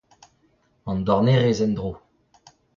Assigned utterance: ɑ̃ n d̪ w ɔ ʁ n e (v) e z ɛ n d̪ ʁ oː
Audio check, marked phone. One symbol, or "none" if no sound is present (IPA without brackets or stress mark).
ʁ